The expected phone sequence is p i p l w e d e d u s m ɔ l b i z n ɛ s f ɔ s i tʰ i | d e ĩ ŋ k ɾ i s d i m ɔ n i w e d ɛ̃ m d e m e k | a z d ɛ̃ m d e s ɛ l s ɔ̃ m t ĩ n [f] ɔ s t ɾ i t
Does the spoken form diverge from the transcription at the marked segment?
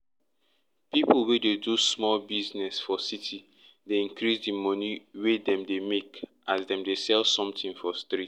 no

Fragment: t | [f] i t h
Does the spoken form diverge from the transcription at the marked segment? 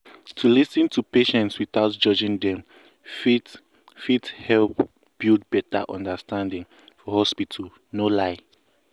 no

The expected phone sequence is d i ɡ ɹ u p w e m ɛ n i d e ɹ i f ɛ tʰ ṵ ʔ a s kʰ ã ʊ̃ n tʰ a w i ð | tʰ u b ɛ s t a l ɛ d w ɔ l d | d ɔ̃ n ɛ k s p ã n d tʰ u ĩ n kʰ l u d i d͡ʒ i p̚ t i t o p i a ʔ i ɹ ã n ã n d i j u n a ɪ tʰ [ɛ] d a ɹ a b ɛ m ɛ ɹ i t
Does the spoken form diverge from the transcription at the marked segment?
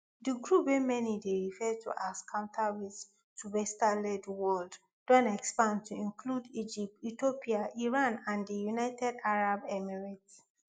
no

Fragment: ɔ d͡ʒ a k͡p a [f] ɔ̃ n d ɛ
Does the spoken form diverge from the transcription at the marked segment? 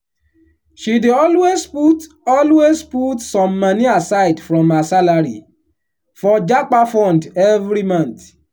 no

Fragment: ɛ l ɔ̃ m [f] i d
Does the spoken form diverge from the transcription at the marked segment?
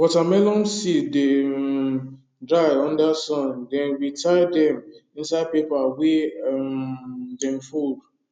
yes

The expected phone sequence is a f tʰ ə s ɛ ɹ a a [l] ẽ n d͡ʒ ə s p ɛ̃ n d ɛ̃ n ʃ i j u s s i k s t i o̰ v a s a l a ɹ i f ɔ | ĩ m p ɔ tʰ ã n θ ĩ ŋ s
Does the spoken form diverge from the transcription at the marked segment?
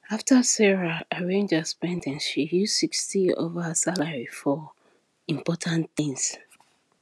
yes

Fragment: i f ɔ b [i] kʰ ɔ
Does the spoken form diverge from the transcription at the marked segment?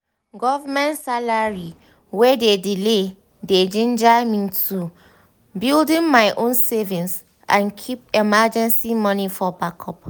yes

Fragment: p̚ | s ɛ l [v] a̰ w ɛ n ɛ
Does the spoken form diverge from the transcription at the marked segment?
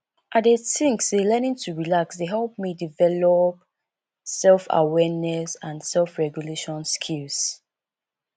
yes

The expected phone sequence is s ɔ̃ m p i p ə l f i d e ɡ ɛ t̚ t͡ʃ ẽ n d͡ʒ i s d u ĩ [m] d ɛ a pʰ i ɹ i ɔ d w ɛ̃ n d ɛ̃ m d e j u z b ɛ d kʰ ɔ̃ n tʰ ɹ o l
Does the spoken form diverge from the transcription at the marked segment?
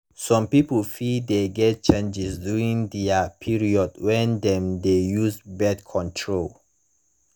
yes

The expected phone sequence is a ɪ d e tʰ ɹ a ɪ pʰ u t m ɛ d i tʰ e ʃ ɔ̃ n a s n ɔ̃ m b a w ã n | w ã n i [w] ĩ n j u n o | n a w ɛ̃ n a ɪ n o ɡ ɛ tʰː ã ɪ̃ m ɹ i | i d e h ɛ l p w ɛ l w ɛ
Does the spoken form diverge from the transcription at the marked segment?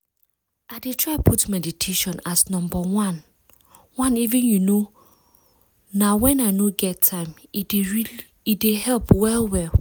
yes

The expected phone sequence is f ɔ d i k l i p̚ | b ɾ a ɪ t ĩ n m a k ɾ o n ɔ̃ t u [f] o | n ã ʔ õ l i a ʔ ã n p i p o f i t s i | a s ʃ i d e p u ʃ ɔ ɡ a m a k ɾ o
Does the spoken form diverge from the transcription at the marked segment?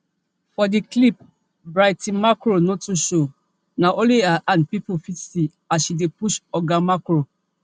yes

